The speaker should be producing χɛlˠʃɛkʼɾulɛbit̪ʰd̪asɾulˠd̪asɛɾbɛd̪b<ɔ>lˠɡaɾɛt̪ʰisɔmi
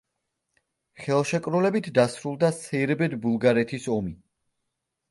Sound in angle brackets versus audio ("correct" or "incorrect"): incorrect